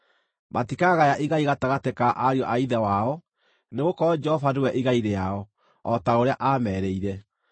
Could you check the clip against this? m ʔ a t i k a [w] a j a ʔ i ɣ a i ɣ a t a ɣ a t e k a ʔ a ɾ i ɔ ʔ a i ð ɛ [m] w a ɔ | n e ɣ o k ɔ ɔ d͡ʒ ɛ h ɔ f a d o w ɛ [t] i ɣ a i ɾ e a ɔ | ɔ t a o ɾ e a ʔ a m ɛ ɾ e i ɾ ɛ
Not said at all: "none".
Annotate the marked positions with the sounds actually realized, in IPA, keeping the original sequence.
ɣ, none, ʔ

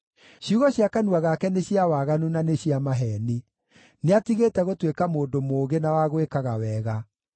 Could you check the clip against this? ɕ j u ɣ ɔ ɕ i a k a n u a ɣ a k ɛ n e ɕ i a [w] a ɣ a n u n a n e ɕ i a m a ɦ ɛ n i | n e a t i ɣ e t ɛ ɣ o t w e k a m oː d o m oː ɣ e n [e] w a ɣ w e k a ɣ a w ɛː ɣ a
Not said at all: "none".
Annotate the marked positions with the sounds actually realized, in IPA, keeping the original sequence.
w, a

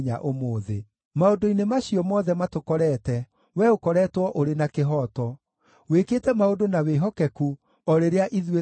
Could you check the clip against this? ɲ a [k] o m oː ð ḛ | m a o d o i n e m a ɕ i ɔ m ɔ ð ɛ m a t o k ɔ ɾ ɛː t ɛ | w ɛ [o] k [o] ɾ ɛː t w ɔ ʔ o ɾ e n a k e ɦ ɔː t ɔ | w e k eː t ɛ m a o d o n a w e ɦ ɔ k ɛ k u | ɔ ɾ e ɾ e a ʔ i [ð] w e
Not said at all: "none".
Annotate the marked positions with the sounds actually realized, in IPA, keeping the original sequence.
ʔ, o, ɔ, ð

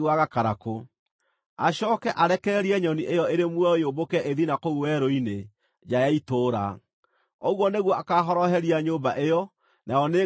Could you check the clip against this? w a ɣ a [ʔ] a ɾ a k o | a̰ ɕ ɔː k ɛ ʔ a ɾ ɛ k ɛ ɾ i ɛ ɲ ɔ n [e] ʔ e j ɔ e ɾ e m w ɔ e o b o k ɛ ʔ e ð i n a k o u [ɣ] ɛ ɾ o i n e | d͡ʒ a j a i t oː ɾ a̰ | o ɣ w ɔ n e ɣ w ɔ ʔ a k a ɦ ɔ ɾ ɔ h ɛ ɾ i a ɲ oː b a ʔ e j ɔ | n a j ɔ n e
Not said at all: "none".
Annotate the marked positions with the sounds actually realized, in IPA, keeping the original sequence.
k, i, w

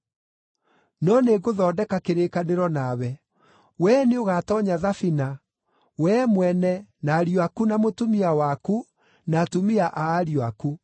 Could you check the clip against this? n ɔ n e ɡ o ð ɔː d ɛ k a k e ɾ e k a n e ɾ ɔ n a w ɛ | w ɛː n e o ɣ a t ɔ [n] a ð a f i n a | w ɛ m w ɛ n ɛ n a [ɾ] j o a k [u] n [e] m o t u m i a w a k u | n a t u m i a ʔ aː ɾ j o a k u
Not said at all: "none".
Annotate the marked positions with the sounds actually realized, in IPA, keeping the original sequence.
ɲ, ɾ, u, a

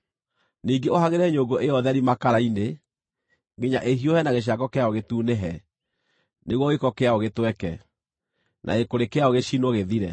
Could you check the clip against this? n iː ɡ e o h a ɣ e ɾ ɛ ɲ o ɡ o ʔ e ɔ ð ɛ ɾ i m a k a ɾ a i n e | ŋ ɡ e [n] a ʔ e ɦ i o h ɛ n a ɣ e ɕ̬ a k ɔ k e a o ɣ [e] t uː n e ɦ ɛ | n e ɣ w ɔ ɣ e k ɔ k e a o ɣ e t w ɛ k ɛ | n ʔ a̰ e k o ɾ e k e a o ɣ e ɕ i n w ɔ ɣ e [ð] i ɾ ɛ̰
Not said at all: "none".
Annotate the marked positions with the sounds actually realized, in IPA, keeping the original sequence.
ɲ, e, ð

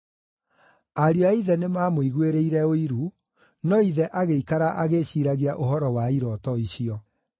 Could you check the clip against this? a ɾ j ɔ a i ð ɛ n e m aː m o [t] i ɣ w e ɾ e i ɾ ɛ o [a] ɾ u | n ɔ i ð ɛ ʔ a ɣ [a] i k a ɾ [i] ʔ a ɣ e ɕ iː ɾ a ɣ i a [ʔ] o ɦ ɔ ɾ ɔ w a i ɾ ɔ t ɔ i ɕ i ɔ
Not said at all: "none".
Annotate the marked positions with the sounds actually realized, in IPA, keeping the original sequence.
none, i, e, a, ʔ

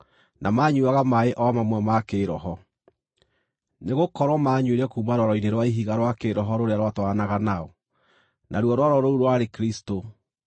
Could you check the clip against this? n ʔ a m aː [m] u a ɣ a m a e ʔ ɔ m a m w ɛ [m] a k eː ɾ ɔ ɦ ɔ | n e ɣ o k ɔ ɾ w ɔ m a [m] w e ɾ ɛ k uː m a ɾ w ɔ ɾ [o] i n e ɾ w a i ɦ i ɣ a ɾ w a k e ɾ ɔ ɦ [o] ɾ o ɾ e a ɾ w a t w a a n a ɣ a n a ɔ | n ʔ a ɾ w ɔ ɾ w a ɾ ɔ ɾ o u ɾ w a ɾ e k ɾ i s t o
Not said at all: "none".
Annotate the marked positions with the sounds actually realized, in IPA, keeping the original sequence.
ɲ, m, ɲ, ɔ, ɔ

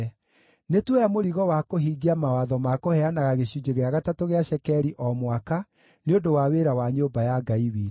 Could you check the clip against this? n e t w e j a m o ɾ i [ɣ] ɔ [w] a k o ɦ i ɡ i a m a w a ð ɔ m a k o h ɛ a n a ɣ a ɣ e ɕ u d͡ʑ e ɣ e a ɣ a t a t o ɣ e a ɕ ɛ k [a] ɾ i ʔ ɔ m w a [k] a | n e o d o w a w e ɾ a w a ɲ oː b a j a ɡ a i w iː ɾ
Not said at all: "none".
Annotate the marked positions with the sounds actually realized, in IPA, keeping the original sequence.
ɣ, w, ɛ, k

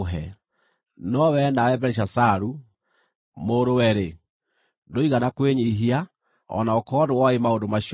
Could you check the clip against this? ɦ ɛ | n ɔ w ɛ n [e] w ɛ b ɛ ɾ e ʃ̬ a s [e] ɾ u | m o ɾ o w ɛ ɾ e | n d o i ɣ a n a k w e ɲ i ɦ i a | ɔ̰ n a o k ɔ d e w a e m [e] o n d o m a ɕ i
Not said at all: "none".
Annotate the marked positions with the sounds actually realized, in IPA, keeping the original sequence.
a, a, a

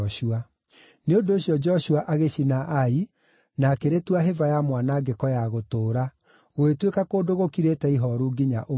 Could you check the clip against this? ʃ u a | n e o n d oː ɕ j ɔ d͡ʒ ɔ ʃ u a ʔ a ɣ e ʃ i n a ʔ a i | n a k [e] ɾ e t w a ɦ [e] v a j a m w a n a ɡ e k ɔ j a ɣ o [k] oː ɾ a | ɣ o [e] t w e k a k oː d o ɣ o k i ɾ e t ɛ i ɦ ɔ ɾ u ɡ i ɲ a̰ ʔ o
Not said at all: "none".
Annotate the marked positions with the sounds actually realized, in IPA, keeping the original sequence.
e, e, t, e

